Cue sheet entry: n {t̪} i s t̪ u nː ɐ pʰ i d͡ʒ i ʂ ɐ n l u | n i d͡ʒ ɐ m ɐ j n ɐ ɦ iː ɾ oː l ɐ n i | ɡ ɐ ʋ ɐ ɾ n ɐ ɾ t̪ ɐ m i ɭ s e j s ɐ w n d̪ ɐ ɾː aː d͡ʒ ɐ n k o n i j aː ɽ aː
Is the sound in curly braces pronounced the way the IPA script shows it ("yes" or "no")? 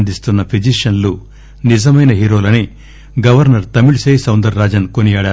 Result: no